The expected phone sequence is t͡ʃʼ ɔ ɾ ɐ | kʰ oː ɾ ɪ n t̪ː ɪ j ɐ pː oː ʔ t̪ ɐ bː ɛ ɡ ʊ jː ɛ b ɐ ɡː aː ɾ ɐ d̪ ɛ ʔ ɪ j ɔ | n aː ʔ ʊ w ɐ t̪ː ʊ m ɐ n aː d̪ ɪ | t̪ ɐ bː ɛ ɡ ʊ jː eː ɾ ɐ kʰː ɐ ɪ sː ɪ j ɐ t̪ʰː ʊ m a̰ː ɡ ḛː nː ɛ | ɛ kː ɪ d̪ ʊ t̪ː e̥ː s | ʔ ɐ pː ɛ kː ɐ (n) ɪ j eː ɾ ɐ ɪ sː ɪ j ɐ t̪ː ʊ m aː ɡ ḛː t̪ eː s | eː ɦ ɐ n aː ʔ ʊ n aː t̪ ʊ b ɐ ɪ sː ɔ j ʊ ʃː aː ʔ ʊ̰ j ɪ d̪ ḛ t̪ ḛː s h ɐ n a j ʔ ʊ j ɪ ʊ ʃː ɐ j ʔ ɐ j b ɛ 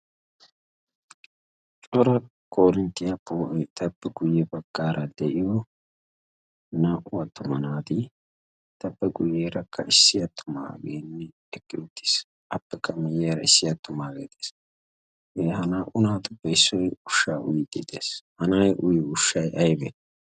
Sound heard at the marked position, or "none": m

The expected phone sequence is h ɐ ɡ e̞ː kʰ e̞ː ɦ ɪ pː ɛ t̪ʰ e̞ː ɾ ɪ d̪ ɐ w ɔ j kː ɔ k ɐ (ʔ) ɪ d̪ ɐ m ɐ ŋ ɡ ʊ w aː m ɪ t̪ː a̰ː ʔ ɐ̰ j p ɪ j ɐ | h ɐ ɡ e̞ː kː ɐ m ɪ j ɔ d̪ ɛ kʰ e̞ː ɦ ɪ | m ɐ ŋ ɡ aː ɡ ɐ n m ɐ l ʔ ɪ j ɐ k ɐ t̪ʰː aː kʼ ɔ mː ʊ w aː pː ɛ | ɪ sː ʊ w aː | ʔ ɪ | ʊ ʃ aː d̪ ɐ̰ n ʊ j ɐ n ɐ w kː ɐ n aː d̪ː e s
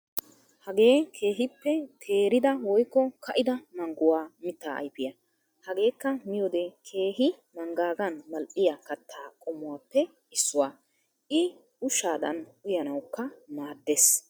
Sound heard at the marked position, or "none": ʔ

